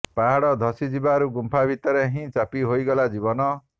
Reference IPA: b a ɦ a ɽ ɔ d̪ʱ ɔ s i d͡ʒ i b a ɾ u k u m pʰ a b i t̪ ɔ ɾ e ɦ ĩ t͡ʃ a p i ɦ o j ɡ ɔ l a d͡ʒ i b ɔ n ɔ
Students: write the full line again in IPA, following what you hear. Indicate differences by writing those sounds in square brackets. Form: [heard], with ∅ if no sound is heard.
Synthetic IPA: [p] a ɦ a ɽ ɔ d̪ʱ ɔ s i d͡ʒ i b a ɾ u [ɡ] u m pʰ a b i t̪ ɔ ɾ e ɦ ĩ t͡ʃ a p i ɦ o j ɡ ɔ l a d͡ʒ i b ɔ n ɔ